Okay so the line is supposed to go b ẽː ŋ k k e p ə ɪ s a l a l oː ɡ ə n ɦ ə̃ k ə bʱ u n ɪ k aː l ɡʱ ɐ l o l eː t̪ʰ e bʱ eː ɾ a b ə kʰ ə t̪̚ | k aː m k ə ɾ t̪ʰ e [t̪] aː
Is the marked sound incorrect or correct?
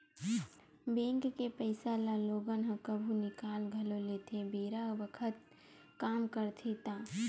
correct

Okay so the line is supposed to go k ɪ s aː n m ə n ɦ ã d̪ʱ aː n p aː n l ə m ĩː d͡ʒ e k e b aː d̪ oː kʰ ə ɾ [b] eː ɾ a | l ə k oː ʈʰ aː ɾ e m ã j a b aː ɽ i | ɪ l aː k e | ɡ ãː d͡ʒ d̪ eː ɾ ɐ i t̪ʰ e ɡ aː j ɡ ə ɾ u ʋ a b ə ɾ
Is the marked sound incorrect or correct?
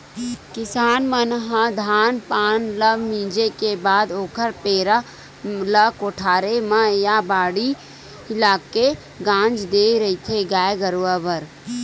incorrect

